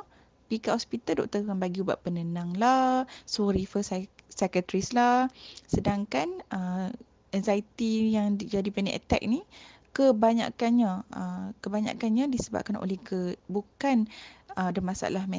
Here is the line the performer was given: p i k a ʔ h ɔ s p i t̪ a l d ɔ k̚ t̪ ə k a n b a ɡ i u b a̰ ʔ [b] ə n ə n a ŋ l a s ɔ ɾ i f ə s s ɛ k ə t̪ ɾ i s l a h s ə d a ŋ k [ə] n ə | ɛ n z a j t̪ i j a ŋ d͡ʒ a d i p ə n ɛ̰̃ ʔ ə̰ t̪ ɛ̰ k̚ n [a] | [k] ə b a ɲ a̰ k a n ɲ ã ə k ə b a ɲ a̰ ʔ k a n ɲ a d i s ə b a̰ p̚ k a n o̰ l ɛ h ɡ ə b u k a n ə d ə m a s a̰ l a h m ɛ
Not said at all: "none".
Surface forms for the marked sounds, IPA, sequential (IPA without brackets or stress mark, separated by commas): p, a, i, k